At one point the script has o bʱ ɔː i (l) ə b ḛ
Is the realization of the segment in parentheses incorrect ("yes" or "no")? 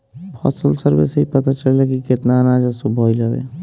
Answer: no